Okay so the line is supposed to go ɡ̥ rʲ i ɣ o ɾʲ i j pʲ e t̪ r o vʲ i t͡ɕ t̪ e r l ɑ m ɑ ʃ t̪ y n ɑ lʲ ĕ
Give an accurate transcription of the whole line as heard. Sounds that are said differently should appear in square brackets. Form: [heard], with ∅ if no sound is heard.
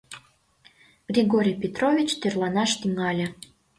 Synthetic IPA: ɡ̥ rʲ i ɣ o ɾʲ i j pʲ e t̪ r o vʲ i t͡ɕ t̪ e r l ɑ [n] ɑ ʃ t̪ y [ŋ] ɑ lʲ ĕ